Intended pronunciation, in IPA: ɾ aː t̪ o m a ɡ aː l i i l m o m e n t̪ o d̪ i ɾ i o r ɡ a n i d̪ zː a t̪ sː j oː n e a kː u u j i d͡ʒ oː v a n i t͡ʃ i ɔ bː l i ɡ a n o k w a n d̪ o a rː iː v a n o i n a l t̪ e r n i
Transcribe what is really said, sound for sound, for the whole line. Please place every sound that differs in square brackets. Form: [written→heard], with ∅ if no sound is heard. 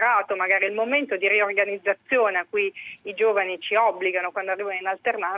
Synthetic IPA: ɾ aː t̪ o m a ɡ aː [l→ɾ] i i l m o m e n t̪ o d̪ i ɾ i o r ɡ a n i d̪ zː a t̪ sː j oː n e a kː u u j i d͡ʒ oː v a n i t͡ʃ i ɔ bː l i ɡ a n o k w a n d̪ o a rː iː v a n o i n a l t̪ e r n [i→a]